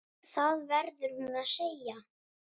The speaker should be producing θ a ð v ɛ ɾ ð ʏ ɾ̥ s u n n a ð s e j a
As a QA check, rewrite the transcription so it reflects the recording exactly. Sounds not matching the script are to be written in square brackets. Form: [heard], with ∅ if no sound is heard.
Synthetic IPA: θ a ð v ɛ ɾ ð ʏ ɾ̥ [h] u n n a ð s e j a

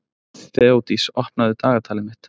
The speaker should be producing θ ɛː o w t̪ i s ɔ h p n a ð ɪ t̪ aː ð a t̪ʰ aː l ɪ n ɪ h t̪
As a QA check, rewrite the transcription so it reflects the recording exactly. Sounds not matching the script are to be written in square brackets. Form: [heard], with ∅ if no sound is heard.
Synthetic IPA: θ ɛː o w t̪ i s ɔ h p n a ð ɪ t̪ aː [ɣ] a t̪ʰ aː l ɪ [m] ɪ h t̪

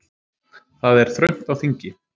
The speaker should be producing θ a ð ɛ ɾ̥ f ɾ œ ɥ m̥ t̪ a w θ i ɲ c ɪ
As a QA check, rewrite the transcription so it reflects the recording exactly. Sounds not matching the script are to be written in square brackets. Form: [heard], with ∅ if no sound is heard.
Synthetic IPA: θ a ð ɛ ɾ̥ [θ] ɾ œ ɥ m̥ t̪ a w θ i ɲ c ɪ

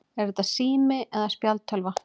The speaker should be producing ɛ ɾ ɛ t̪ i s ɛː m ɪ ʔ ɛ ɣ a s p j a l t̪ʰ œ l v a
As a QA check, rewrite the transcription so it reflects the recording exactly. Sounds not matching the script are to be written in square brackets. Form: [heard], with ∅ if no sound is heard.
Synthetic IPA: ɛ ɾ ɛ t̪ [a] s [iː] m ɪ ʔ ɛ [ð] a s p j a l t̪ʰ œ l v a

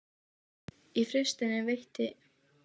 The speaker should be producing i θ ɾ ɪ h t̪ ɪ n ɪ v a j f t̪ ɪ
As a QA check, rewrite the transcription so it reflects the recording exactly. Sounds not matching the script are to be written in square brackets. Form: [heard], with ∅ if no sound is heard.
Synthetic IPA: i [f] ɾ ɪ [s] t̪ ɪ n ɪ v [e] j [h] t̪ ɪ

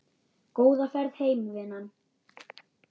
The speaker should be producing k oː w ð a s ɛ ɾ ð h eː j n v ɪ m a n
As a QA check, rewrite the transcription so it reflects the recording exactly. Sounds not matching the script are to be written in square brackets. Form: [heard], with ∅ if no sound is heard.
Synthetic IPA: k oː w ð a [f] ɛ ɾ ð h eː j [m] v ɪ [n] a n

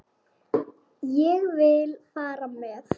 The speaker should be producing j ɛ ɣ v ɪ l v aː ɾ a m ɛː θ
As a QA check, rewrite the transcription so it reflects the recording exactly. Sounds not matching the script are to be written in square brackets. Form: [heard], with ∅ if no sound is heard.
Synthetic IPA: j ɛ ɣ v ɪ l [f] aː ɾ a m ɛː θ

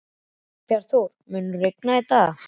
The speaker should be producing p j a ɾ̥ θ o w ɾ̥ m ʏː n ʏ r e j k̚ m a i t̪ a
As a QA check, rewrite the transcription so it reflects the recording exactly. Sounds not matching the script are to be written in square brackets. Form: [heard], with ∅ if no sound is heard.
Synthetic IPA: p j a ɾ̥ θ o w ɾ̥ m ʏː n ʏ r e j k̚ [n] a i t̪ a

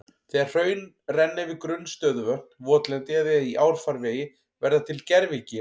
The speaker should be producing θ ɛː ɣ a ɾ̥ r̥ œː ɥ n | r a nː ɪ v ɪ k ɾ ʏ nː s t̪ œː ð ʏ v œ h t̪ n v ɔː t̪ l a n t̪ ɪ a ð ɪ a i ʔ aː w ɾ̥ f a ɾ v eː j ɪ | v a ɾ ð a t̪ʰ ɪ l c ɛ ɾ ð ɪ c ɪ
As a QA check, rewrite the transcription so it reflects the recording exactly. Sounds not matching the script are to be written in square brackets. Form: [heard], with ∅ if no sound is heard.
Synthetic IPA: θ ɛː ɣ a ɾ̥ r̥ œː ɥ n | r [ɛ] nː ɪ v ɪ k ɾ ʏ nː s t̪ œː ð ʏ v œ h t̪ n v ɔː t̪ l [ɛ] n t̪ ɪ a ð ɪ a i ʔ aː w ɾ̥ f a ɾ v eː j ɪ | v [ɛ] ɾ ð a t̪ʰ ɪ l c ɛ ɾ [v] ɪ c ɪ

